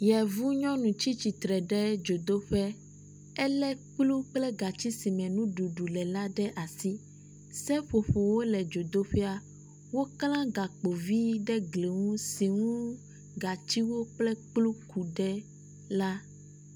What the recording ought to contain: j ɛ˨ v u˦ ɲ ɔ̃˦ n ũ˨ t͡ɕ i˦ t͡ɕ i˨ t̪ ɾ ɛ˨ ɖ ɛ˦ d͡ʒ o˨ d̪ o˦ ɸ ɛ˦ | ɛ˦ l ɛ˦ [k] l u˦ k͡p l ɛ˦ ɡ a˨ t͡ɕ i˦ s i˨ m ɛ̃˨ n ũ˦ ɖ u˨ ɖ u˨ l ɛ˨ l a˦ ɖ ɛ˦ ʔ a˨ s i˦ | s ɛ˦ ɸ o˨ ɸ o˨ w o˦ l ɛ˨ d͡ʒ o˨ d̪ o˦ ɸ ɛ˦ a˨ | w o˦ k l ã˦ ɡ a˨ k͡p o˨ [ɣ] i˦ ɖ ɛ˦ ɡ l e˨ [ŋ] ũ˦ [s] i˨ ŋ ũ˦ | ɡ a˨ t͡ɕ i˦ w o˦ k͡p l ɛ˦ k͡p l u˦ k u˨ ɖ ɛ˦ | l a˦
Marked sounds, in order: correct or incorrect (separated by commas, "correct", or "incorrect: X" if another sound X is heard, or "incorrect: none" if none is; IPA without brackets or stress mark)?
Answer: incorrect: k͡p, incorrect: v, correct, correct